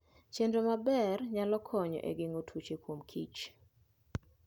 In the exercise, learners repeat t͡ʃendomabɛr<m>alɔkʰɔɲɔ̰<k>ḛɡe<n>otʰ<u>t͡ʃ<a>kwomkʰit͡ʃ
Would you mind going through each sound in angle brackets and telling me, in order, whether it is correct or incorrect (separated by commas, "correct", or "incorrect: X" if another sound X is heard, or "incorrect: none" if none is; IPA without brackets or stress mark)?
incorrect: ɲ, incorrect: ʔ, incorrect: ŋ, correct, incorrect: e